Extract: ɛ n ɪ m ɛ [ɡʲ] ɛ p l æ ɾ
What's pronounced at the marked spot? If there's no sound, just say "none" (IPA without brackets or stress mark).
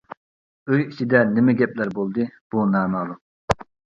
ɡʲ